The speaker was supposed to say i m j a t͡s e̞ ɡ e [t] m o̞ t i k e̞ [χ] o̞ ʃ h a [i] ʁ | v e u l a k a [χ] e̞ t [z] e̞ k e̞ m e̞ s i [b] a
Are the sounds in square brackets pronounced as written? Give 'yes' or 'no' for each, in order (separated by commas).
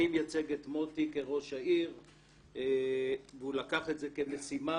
yes, no, yes, yes, yes, no